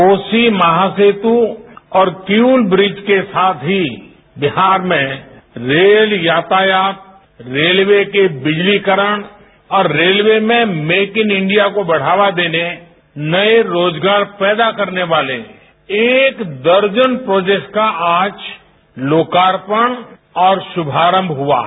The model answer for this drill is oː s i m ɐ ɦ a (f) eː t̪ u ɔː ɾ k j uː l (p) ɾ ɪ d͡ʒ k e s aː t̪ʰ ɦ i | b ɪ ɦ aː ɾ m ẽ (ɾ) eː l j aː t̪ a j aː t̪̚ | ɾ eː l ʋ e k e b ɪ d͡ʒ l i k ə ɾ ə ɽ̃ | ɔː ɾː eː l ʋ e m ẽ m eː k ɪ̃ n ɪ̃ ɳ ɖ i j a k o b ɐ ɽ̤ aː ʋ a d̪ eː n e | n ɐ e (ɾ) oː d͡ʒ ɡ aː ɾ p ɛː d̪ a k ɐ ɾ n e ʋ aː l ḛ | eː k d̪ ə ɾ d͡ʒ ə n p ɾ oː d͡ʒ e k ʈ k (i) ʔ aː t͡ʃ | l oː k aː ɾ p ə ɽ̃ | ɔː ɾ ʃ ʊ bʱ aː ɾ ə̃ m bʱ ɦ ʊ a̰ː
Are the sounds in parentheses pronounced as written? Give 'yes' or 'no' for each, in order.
no, no, yes, yes, no

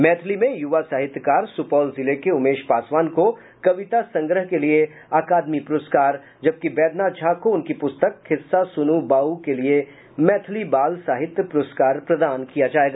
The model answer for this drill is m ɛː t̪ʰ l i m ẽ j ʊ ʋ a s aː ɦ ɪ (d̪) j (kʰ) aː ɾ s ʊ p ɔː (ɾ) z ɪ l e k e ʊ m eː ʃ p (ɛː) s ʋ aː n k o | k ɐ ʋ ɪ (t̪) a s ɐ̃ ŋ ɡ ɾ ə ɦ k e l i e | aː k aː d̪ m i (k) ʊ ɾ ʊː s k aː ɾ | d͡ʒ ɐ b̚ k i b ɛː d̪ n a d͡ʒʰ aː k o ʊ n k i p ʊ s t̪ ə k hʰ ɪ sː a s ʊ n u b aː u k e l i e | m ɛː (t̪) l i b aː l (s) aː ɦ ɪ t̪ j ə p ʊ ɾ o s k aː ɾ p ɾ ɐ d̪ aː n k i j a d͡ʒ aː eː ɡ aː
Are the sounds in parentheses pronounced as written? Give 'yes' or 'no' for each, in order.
no, no, no, no, yes, no, no, yes

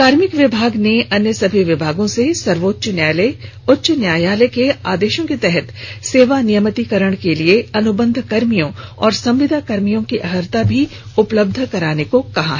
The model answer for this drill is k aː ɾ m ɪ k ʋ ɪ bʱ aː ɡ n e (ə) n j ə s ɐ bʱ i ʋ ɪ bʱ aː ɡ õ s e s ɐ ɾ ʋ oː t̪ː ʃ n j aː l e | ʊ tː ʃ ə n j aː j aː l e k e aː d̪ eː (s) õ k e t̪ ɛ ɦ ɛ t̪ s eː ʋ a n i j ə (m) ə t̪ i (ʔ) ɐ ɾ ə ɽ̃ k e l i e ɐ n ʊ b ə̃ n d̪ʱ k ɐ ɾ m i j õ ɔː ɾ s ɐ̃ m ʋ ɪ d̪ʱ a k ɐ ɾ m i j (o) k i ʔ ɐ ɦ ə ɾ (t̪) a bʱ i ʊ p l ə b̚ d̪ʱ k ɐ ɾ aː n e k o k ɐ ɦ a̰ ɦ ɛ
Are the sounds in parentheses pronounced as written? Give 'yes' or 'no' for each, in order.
no, no, yes, no, no, yes

